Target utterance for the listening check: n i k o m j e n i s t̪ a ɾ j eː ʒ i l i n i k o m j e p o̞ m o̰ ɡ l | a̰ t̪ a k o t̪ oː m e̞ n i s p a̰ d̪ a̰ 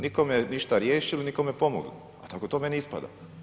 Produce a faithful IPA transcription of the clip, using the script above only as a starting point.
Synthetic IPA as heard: n i k o m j e n i ʃ t̪ a ɾ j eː ʃ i l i n i k o m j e p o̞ m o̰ ɡ l | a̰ t̪ a k o t̪ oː m e̞ n i s p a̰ d̪ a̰